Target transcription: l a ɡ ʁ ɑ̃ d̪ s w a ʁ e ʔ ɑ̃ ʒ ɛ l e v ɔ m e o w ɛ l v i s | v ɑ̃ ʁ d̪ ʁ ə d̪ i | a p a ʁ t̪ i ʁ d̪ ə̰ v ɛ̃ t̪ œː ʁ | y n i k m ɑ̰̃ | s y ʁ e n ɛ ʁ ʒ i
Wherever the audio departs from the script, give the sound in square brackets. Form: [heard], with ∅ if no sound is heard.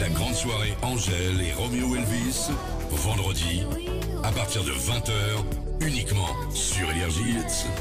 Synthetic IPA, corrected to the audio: l a ɡ ʁ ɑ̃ d̪ s w a ʁ e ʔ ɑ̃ ʒ ɛ l e [ʁ] ɔ m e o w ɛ l v i s | v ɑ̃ [∅] d̪ ʁ ə d̪ i | a p a ʁ t̪ i ʁ d̪ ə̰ v ɛ̃ t̪ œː ʁ | y n i k m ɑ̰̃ | s y ʁ e n ɛ ʁ ʒ i